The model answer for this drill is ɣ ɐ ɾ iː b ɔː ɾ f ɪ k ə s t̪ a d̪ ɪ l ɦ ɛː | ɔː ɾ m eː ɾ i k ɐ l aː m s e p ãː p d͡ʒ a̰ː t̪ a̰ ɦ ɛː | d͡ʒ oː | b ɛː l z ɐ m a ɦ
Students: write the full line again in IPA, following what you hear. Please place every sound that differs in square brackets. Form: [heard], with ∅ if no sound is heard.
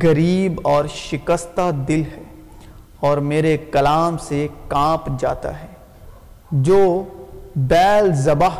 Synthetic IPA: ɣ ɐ ɾ iː b ɔː ɾ [ʃ] ɪ k ə s t̪ a d̪ ɪ l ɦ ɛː | ɔː ɾ m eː ɾ [e] k ɐ l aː m s e [k] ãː p d͡ʒ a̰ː t̪ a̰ ɦ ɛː | d͡ʒ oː | b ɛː l z ɐ [b] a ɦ